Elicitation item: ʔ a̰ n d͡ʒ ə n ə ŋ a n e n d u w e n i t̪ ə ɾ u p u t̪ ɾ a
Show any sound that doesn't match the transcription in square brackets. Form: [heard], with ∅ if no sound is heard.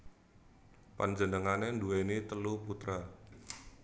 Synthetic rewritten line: [p] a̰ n d͡ʒ ə n ə ŋ a n e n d u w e n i t̪ ə [l] u p u t̪ ɾ a